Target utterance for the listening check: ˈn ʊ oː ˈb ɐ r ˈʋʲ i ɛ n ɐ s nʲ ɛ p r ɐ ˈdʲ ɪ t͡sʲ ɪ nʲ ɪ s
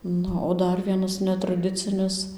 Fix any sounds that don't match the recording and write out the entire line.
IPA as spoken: ˈn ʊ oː ˈd ɐ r ˈʋʲ i ɛ n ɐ s nʲ ɛ t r ɐ ˈdʲ ɪ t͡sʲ ɪ nʲ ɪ s